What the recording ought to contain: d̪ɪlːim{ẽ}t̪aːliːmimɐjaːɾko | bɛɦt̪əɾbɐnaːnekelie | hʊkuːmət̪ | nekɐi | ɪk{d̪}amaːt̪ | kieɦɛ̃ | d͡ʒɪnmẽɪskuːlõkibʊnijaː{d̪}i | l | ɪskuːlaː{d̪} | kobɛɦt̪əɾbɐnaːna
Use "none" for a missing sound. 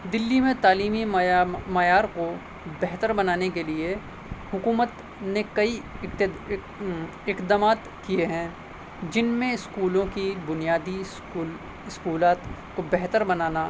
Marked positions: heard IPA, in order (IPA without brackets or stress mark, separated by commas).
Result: ẽ, d̪, d̪, t̪